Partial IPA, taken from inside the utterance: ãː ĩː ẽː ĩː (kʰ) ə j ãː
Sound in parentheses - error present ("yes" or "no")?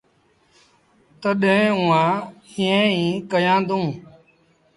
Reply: yes